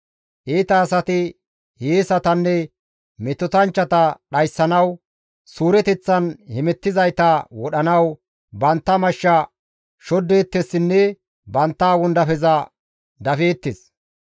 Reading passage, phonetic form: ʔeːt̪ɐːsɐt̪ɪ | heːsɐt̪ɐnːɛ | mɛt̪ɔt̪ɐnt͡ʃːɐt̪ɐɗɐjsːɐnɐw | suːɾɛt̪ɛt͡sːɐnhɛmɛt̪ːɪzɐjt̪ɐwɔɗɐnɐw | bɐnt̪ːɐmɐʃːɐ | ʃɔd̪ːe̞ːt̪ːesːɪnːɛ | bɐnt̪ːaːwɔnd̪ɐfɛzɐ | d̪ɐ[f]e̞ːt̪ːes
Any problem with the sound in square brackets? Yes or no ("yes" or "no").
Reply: no